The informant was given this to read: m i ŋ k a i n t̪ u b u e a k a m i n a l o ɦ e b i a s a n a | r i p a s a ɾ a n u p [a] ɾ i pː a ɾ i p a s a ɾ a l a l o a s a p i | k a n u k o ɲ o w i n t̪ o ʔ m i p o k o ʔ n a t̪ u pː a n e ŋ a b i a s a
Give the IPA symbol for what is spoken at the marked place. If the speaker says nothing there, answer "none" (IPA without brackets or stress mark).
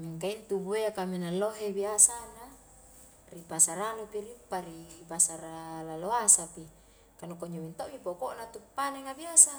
i